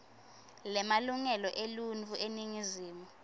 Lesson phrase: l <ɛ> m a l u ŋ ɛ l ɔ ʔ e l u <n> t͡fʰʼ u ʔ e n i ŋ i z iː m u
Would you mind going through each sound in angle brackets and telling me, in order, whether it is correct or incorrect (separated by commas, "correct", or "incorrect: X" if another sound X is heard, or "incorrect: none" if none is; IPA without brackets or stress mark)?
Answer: correct, correct